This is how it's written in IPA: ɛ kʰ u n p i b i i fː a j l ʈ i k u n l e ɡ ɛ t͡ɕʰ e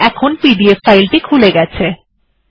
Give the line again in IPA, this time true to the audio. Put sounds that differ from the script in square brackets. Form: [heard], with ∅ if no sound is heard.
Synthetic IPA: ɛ kʰ [o] n p i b i [e] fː a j l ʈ i [kʰ] u [∅] l e ɡ ɛ t͡ɕʰ e